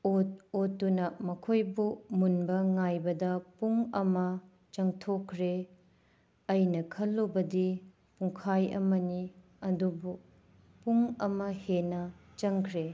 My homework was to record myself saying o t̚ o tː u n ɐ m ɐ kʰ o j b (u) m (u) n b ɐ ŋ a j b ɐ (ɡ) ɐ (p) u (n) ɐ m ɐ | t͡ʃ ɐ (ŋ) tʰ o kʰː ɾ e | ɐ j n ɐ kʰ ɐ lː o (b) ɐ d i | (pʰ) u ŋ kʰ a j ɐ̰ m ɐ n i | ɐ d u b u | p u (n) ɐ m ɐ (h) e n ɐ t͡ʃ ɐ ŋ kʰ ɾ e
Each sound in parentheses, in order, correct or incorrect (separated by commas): correct, correct, incorrect, correct, incorrect, correct, correct, incorrect, incorrect, correct